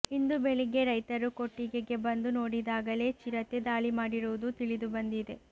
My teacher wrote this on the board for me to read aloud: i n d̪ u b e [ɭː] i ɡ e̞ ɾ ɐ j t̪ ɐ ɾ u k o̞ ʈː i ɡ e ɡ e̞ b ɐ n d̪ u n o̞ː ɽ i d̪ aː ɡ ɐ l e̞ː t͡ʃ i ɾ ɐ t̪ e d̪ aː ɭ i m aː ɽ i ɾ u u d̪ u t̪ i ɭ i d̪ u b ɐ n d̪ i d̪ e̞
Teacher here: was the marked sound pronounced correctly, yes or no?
no